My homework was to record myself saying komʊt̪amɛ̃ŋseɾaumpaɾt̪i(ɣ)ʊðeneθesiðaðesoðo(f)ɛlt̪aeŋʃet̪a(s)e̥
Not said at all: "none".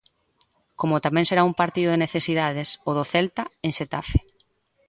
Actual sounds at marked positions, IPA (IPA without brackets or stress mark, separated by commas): ð, θ, f